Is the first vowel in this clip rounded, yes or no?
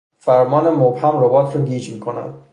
no